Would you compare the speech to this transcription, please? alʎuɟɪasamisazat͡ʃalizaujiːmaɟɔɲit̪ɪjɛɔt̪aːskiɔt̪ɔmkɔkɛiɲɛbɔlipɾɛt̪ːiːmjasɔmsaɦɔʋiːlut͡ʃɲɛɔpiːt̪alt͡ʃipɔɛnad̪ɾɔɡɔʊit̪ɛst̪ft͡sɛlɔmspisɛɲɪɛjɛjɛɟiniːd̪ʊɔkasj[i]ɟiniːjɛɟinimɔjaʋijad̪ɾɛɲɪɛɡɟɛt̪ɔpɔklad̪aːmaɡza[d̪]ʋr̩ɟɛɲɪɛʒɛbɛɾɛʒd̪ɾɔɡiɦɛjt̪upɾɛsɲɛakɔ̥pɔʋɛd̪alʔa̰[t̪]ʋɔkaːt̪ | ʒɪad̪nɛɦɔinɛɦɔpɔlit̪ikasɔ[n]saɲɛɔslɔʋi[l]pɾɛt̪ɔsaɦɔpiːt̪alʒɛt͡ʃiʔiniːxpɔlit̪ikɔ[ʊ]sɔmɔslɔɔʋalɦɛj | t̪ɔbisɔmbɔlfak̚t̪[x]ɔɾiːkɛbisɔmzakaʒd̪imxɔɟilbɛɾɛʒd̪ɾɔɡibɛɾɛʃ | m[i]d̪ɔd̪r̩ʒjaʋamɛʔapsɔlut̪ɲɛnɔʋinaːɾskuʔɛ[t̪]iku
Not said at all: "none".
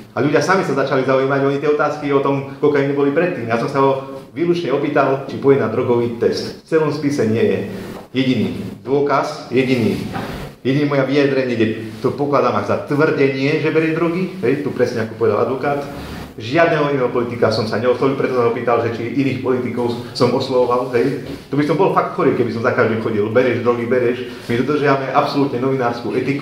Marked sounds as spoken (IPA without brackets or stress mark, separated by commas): ɛ, t̪, d̪, m, l, ʊ, x, i, t̪